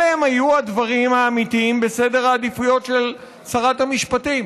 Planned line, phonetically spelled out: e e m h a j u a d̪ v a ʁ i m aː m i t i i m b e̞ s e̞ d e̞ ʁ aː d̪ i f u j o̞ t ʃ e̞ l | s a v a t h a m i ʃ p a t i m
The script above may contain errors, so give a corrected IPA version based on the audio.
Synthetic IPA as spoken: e e m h a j u a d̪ v a ʁ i m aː m i t i i m b e̞ s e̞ d e̞ ʁ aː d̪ i f u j o̞ t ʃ e̞ l | s a ʁ a t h a m i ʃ p a t i m